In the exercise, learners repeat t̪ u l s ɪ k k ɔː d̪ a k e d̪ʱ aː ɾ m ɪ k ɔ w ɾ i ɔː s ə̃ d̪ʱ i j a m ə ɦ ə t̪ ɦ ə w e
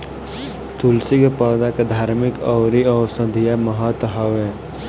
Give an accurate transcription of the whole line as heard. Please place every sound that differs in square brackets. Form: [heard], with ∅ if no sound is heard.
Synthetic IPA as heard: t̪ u l s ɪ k [p] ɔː d̪ a k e d̪ʱ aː ɾ m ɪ k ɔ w ɾ i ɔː s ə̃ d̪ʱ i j a m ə ɦ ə t̪ ɦ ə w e